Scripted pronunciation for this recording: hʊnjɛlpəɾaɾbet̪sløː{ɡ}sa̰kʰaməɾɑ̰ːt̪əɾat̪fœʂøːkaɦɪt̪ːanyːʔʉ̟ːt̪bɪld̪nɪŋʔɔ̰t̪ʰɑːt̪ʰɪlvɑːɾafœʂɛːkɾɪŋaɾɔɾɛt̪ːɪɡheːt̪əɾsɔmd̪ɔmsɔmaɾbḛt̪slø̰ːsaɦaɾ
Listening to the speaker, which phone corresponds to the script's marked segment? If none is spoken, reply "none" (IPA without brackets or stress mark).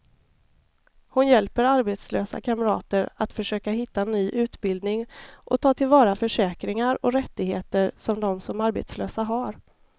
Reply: none